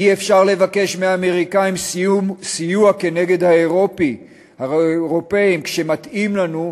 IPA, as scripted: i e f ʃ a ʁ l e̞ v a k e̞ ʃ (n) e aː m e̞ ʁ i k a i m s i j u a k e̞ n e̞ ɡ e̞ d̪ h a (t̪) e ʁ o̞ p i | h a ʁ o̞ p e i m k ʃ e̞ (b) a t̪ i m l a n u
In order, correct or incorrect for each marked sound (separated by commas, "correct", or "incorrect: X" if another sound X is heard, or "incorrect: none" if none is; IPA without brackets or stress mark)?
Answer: incorrect: m, incorrect: none, incorrect: m